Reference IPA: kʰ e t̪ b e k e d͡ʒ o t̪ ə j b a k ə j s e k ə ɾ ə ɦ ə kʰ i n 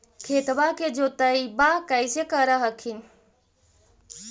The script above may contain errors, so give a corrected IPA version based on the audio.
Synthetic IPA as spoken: kʰ e t̪ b a k e d͡ʒ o t̪ ə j b a k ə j s e k ə ɾ ə ɦ ə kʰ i n

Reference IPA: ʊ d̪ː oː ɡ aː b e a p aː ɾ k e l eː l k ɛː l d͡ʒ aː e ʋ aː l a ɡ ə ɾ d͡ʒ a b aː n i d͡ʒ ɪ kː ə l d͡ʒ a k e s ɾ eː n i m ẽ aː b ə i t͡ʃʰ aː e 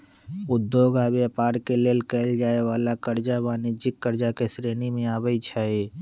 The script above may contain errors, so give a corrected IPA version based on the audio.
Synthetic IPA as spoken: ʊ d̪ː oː ɡ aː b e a p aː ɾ k e l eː l k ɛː l d͡ʒ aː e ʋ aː l a k ə ɾ d͡ʒ a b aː n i d͡ʒ ɪ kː ə ɾ d͡ʒ a k e s ɾ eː n i m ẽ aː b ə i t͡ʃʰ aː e

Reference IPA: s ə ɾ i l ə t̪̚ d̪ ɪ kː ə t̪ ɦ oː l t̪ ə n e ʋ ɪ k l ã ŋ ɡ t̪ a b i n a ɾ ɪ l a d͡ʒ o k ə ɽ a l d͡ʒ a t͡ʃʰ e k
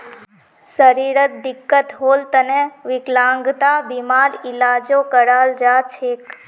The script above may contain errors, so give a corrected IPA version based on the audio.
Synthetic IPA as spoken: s ə ɾ i ɾ ə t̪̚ d̪ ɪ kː ə t̪ ɦ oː l t̪ ə n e ʋ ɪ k l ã ŋ ɡ t̪ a b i m a ɾ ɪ l a d͡ʒ o k ə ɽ a l d͡ʒ a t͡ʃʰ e k

